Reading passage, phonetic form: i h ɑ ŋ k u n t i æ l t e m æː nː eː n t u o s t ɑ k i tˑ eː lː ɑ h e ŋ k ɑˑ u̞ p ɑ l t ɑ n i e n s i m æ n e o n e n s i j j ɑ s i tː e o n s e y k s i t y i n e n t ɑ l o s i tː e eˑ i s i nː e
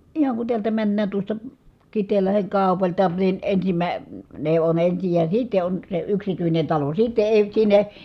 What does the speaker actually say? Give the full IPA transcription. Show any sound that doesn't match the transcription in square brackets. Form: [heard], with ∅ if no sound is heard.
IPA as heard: i h ɑ ŋ k u n t i æ l t [æ] m [æ] nː [æː] n t u o s t ɑ k i tˑ eː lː ɑ h e ŋ k ɑˑ u̞ p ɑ l t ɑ n i e n s i m æ n e o n e n s i j j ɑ s i tː e o n s e y k s i t y i n e n t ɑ l o s i tː e eˑ i s i nː e